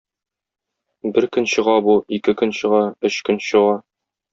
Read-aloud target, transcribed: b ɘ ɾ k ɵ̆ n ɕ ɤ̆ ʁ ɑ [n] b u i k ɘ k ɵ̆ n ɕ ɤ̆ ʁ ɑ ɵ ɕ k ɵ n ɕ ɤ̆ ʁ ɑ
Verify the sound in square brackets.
incorrect: none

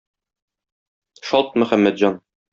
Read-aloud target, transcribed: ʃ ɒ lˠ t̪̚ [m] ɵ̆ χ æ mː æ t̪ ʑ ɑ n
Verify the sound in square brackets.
correct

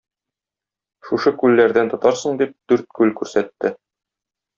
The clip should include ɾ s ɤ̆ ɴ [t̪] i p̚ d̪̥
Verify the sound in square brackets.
incorrect: d̪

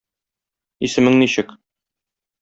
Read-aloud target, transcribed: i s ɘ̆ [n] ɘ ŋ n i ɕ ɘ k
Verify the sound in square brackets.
incorrect: m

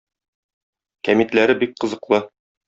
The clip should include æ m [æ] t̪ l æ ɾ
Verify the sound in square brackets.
incorrect: i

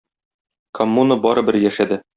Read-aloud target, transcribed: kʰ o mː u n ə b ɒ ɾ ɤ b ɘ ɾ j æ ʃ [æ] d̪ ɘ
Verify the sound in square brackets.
correct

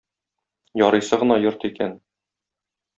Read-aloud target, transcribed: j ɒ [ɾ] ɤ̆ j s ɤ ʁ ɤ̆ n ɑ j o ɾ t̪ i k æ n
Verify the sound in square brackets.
correct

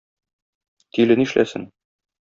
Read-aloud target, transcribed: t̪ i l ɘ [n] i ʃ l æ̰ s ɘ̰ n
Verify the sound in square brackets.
correct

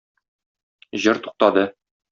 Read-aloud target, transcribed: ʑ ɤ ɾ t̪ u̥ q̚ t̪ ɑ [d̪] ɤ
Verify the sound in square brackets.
correct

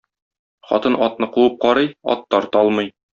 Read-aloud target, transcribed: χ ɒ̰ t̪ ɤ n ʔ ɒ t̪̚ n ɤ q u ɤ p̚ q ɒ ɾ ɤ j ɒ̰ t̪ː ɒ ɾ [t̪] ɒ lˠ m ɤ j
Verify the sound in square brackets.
correct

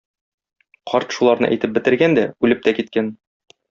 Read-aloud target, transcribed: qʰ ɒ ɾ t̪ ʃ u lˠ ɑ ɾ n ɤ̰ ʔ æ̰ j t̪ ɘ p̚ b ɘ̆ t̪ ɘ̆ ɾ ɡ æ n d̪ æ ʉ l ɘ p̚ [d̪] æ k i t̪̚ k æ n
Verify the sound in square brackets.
incorrect: t̪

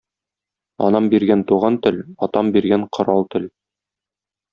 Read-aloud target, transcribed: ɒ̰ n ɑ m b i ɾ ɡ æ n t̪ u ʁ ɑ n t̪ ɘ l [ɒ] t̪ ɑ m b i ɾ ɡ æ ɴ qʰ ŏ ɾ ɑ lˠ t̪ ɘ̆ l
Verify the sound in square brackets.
correct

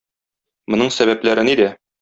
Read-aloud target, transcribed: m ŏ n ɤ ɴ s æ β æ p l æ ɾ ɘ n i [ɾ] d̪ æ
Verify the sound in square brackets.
incorrect: none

